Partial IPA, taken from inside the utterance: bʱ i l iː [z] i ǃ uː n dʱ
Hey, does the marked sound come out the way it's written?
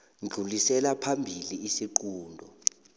no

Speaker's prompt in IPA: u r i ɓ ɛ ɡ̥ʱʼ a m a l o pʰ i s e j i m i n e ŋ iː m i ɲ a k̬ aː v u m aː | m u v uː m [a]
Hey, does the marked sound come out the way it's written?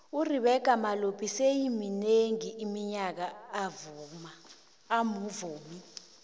no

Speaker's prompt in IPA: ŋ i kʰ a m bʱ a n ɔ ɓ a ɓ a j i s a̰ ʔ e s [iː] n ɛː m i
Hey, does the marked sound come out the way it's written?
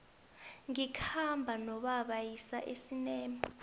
no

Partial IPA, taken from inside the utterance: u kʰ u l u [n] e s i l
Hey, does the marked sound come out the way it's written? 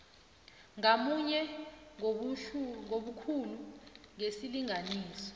no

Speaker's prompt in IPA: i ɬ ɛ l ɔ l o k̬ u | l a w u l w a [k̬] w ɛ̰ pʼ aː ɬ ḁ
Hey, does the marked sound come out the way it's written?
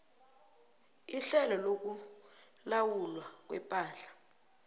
yes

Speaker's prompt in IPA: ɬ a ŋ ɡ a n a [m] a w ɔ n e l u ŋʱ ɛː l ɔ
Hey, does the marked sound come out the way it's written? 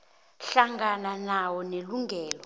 no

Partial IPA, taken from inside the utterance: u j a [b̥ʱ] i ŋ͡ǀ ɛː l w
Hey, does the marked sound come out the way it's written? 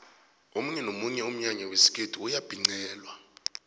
yes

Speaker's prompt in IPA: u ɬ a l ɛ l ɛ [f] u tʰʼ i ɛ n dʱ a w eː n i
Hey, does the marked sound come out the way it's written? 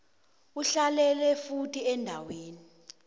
yes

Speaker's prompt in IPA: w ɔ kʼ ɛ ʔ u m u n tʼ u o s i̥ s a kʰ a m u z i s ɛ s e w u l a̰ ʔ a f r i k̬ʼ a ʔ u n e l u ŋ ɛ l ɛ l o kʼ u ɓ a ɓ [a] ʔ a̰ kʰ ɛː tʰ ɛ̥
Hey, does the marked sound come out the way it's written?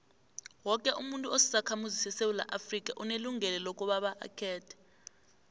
yes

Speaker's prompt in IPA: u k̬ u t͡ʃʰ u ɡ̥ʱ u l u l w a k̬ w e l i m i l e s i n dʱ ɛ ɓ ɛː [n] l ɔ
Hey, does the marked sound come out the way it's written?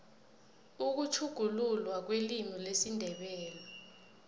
no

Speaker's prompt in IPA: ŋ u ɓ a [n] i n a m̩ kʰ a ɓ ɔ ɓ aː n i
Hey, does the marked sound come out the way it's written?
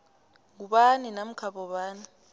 yes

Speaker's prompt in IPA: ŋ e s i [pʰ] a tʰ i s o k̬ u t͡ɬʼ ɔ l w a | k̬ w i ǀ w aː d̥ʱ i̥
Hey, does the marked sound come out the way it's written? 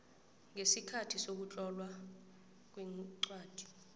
no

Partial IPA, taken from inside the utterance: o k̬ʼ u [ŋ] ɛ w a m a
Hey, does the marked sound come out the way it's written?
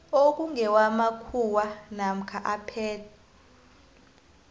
yes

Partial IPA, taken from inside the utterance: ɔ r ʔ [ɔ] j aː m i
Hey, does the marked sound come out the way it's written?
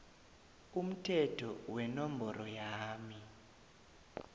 yes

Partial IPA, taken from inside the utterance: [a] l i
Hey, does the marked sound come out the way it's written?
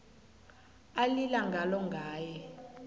yes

